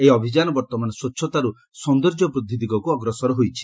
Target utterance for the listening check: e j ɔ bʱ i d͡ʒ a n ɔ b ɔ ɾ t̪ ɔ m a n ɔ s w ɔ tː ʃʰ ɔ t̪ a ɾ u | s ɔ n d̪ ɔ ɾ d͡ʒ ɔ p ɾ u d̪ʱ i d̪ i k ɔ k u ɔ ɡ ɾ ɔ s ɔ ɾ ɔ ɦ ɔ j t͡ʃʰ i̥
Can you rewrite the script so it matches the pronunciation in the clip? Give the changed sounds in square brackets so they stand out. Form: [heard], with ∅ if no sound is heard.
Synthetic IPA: e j ɔ bʱ i d͡ʒ a n ɔ b ɔ ɾ t̪ ɔ m a n ɔ s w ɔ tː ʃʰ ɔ t̪ a ɾ u | s ɔ n d̪ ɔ ɾ d͡ʒ ɔ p ɾ u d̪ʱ i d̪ i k ɔ k u ɔ ɡ ɾ ɔ s ɔ ɾ ɔ ɦ [o] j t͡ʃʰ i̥